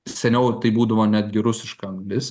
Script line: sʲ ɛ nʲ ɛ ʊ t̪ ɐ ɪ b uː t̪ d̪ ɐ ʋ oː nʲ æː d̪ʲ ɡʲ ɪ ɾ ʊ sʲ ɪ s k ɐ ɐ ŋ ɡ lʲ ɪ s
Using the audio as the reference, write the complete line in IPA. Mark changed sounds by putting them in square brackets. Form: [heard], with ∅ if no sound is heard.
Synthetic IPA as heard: sʲ ɛ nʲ ɛ ʊ t̪ ɐ ɪ b uː [∅] d̪ ɐ ʋ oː nʲ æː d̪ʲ ɡʲ ɪ ɾ ʊ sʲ ɪ [ʃ] k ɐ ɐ ŋ ɡ lʲ ɪ s